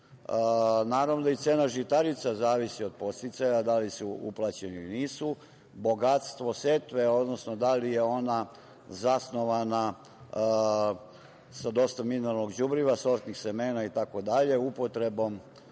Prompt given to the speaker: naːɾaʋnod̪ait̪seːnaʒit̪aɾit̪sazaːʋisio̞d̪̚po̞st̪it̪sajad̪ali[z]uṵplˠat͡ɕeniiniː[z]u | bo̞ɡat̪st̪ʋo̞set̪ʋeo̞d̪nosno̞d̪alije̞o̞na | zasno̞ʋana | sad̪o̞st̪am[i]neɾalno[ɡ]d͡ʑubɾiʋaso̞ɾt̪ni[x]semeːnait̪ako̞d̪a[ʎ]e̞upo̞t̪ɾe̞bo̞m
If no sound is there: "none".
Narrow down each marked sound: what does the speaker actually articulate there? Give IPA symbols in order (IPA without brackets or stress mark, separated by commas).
s, s, i, ɡ, x, ʎ